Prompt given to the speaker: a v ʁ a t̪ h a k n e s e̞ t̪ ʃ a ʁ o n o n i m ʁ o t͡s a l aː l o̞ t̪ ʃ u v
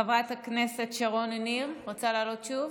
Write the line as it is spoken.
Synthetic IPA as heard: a v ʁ a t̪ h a k n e s e̞ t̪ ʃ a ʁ o n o n i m ʁ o t͡s a l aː l o̞ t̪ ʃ u v